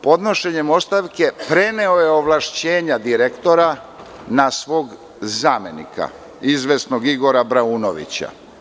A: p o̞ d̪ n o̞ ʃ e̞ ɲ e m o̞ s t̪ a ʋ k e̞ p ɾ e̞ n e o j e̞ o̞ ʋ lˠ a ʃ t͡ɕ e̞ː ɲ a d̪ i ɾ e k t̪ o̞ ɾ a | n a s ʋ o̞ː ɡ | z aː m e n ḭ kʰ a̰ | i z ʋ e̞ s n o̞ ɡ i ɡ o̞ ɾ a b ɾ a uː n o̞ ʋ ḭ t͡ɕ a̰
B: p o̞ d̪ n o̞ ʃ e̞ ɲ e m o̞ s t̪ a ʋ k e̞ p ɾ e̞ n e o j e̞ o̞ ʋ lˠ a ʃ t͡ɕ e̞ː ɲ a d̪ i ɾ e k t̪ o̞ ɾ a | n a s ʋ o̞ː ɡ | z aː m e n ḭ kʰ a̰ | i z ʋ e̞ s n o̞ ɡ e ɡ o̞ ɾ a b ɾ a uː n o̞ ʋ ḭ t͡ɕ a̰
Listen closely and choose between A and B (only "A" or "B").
A